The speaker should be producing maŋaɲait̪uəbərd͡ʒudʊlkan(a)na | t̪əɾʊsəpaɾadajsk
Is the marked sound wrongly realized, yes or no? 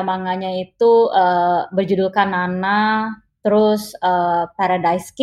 no